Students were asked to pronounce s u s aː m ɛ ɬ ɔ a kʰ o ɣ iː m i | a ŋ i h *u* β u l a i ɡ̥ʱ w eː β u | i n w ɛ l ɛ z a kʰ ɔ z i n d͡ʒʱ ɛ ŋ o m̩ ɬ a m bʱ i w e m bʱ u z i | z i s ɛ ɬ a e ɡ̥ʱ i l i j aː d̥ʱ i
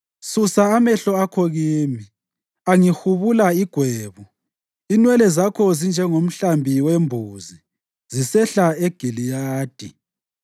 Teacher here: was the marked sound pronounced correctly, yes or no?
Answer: yes